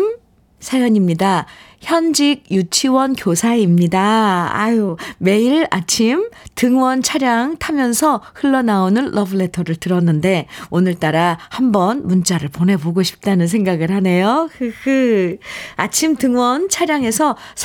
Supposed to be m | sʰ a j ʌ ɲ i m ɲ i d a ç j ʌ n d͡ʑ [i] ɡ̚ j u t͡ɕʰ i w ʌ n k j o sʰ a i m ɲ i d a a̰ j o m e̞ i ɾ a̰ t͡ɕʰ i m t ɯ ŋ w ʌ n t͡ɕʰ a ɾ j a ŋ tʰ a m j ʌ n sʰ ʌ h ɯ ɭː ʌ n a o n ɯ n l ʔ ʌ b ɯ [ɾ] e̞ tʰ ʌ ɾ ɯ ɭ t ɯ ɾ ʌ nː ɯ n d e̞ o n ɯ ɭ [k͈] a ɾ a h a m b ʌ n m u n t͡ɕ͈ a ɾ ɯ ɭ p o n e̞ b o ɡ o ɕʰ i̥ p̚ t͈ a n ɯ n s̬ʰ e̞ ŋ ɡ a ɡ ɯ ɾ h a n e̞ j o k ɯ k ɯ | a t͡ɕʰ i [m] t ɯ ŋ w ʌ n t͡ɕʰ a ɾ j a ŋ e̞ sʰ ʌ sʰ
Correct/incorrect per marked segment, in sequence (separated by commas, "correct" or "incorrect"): correct, incorrect, incorrect, correct